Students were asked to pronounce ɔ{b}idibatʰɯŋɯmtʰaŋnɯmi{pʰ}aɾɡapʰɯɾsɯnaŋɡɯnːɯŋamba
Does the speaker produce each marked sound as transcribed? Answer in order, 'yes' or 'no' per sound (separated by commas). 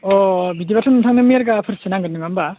yes, no